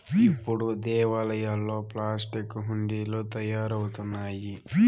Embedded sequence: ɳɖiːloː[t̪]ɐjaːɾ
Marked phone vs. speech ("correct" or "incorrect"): correct